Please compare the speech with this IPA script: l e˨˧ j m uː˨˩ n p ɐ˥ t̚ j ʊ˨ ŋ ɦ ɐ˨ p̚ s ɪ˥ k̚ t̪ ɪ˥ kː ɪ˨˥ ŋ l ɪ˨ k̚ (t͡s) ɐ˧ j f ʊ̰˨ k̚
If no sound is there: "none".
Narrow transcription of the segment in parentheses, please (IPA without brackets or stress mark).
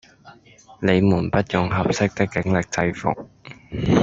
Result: t͡s